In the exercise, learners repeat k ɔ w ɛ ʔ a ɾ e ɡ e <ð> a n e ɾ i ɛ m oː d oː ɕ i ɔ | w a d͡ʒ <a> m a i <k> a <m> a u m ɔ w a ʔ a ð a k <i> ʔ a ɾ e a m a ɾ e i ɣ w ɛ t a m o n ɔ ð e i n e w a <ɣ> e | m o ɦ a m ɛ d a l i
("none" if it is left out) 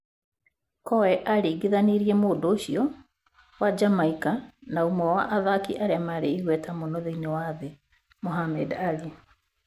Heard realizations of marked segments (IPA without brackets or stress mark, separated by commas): ð, a, k, n, i, ð